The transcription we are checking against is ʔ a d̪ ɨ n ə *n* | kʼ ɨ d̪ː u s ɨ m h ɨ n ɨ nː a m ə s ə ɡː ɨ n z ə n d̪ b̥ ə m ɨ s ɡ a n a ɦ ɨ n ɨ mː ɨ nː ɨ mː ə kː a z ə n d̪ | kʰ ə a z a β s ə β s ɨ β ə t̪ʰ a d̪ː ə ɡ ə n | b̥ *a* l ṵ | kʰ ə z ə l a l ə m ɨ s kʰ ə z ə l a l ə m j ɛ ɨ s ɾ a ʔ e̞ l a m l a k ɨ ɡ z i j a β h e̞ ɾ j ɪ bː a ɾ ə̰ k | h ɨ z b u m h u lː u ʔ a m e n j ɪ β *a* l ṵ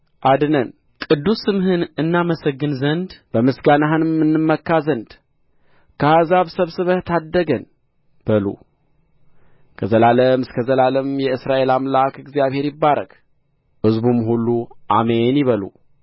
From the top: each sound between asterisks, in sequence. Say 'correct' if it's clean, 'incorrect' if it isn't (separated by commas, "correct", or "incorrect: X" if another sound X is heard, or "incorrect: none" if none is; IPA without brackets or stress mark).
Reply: correct, incorrect: ə, incorrect: ə